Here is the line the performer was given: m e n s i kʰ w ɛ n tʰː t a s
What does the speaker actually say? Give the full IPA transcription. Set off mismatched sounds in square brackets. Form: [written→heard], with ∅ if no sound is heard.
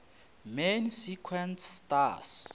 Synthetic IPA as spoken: m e n s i kʰ w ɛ n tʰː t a s